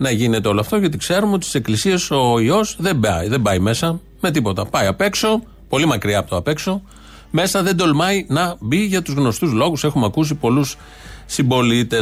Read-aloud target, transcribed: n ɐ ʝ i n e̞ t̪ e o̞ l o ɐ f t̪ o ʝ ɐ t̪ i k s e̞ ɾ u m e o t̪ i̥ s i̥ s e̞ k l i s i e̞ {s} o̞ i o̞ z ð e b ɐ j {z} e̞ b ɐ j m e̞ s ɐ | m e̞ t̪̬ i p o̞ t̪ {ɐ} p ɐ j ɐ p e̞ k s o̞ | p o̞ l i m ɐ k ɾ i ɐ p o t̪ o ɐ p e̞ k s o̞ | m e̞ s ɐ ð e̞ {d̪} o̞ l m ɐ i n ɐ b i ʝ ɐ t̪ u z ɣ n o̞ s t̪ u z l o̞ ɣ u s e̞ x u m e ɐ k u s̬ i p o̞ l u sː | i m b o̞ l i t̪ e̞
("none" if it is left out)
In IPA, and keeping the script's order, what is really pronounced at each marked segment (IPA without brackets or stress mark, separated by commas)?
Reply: s, ð, ɐ, d̪